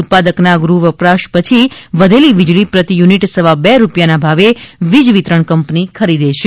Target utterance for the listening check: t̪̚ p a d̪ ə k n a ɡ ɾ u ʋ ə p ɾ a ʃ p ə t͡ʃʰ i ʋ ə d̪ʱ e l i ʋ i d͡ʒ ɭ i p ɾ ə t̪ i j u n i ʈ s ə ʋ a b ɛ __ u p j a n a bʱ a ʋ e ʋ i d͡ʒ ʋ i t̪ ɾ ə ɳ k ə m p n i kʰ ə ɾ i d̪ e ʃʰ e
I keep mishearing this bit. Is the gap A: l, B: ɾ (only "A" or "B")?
B